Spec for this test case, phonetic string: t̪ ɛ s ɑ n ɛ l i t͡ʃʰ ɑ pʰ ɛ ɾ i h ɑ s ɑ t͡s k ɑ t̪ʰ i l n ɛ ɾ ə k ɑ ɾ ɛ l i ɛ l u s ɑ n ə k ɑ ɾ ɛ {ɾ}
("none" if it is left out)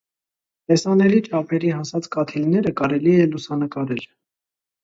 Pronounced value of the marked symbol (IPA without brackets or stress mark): l